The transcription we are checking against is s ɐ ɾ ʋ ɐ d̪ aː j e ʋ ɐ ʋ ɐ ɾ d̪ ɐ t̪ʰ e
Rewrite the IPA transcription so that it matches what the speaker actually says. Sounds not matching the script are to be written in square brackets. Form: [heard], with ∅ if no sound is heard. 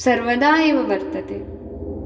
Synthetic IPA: s ɐ ɾ ʋ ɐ d̪ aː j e ʋ ɐ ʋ ɐ ɾ [t̪] ɐ [t̪] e